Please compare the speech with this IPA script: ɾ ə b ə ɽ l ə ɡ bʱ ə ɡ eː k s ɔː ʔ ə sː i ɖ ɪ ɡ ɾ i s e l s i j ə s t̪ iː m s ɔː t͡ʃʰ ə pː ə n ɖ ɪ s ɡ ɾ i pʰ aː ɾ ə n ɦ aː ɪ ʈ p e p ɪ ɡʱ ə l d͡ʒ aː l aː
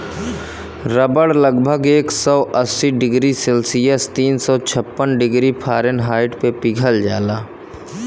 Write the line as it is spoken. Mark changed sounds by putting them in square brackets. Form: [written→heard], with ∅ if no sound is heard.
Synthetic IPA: ɾ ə b ə ɽ l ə ɡ bʱ ə ɡ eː k s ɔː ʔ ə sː i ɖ ɪ ɡ ɾ i s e l s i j ə s t̪ iː [m→n] s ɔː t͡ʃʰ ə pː ə n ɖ ɪ [s→∅] ɡ ɾ i pʰ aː ɾ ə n ɦ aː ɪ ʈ p e p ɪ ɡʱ ə l d͡ʒ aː l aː